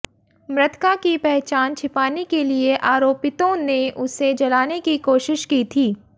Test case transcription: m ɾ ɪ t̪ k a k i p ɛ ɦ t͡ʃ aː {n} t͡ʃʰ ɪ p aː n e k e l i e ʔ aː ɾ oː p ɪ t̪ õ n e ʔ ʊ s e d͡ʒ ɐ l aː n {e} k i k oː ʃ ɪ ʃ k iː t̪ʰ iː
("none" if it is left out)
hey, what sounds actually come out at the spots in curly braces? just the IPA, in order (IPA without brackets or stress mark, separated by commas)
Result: n, e